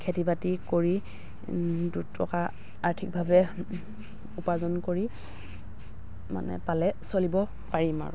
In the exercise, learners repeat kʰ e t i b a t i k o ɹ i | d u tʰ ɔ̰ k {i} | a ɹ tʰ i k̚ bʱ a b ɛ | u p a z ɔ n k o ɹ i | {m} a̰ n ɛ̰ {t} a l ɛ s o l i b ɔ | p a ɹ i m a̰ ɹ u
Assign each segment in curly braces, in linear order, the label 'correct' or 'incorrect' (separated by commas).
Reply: incorrect, correct, incorrect